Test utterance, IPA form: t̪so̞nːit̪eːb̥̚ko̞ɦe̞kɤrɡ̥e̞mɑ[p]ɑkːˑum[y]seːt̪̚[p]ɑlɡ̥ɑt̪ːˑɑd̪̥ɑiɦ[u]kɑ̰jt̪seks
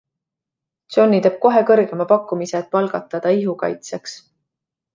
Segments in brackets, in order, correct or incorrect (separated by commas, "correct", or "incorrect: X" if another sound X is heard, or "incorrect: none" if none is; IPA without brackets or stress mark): correct, incorrect: i, correct, correct